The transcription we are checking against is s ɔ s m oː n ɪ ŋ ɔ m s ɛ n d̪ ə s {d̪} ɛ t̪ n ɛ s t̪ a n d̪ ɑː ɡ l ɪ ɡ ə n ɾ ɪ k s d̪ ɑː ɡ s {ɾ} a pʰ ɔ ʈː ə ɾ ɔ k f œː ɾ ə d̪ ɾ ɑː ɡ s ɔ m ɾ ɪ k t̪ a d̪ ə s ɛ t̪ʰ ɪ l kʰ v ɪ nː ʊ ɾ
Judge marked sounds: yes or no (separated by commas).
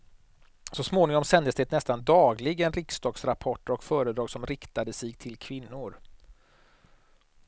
yes, yes